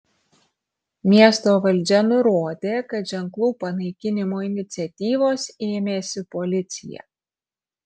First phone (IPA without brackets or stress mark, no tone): mʲ